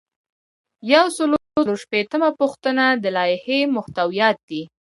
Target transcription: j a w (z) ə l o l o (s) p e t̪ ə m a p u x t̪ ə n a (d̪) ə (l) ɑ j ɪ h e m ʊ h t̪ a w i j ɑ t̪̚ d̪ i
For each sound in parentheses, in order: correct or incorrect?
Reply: incorrect, incorrect, correct, correct

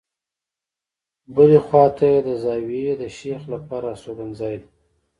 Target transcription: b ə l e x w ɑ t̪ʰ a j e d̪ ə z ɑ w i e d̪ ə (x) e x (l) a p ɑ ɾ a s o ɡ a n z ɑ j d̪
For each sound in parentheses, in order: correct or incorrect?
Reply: incorrect, correct

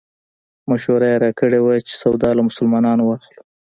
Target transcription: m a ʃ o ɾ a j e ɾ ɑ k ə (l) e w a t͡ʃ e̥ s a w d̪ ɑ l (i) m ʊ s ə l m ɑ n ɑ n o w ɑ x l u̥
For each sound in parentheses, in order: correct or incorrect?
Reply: incorrect, incorrect

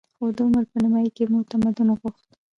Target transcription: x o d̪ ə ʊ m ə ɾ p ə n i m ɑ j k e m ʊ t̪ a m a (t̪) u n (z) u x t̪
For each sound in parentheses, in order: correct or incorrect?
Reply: incorrect, incorrect

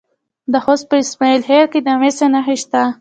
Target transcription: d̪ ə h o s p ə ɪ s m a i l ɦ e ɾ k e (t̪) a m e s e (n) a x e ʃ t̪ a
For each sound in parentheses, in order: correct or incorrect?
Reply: incorrect, correct

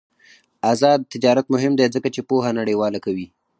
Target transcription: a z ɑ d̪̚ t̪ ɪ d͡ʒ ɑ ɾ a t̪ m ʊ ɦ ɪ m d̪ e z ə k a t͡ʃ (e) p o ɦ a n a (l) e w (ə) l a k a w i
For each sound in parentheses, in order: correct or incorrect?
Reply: correct, incorrect, incorrect

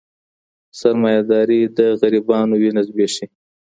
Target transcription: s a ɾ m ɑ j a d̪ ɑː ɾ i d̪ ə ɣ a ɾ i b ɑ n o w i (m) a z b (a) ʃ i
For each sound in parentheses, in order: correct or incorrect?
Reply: incorrect, incorrect

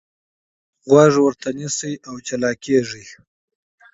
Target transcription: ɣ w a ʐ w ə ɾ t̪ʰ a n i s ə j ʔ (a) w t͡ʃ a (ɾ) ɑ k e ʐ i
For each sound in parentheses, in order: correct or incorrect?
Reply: correct, incorrect

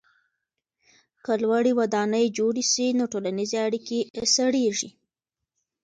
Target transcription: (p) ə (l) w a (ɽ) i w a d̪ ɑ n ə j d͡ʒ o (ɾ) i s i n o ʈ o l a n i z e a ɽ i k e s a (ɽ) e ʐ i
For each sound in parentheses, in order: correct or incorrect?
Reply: incorrect, correct, correct, incorrect, correct

